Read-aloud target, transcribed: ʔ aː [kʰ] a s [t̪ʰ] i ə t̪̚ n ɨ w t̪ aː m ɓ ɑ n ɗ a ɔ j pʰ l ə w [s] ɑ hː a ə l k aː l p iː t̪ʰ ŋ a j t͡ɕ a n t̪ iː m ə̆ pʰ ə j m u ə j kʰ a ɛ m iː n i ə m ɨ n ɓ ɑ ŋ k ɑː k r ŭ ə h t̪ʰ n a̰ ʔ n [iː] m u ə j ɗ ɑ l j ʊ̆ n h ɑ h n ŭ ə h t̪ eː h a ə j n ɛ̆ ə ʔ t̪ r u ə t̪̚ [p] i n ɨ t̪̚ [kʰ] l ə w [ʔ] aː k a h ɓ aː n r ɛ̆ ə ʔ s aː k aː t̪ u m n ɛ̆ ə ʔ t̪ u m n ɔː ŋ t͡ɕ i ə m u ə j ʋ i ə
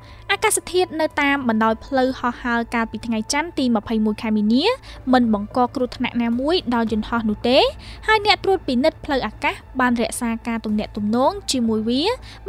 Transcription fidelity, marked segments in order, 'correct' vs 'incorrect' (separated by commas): incorrect, correct, incorrect, incorrect, correct, incorrect, correct